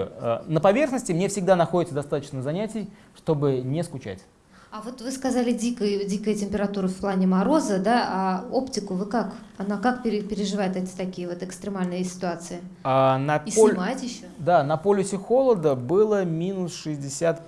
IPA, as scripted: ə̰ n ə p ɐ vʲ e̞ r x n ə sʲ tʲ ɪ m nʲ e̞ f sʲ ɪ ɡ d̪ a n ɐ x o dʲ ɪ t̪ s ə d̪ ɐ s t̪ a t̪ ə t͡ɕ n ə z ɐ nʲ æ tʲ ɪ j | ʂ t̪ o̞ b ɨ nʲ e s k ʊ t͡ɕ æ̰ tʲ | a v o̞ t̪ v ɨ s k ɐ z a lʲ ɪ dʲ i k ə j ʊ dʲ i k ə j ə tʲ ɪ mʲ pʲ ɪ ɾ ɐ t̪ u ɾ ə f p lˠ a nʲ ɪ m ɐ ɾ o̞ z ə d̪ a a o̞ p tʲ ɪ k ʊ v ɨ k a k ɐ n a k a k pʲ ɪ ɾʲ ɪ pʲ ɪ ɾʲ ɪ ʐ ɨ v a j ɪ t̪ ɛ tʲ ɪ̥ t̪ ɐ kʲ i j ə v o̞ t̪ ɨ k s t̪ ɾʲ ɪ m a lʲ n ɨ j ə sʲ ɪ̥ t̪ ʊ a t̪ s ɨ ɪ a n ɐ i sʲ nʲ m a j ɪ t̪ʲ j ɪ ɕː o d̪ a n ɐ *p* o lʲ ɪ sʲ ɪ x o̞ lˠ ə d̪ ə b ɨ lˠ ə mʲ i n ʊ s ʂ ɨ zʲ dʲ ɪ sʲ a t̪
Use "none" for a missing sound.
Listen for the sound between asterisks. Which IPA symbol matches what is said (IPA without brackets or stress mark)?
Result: p